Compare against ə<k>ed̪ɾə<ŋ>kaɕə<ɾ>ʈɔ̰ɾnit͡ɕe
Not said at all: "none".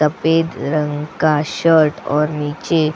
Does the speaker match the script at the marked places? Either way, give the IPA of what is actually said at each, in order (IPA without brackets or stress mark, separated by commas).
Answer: p, ŋ, ɾ